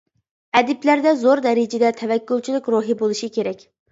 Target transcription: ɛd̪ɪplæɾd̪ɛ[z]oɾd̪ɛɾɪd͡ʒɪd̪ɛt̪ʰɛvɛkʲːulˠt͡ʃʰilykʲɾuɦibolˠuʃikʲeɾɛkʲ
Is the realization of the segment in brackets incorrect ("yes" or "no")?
no